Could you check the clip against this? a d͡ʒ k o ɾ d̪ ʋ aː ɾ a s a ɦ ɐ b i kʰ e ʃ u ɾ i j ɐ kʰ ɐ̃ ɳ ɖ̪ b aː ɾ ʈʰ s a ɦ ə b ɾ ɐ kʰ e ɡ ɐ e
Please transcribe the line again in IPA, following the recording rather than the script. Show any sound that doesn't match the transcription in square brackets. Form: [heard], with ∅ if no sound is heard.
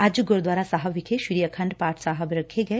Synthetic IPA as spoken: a d͡ʒ [ɡ] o ɾ d̪ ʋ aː ɾ a s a ɦ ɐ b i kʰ e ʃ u ɾ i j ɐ kʰ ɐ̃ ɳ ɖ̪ [p] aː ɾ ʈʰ s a ɦ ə b ɾ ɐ kʰ e ɡ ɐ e